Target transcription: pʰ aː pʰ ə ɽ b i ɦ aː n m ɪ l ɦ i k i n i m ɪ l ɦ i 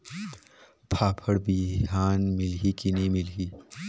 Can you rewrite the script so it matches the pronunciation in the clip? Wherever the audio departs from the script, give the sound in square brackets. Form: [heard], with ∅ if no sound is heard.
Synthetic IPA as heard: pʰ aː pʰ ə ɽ b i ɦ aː n m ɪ l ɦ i k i n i m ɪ l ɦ i